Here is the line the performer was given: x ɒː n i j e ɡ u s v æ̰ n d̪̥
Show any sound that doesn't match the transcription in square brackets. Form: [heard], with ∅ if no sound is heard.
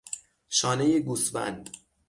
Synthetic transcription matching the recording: [ʃ] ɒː n [e] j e ɡ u s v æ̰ n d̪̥